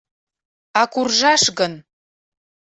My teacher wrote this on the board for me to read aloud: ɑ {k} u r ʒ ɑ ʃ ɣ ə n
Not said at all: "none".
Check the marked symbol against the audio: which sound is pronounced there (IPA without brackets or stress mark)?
k